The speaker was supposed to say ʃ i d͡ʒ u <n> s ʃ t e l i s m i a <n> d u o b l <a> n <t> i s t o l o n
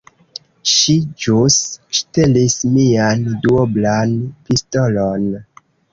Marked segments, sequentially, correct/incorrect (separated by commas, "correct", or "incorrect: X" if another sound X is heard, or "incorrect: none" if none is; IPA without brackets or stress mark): incorrect: none, correct, correct, incorrect: p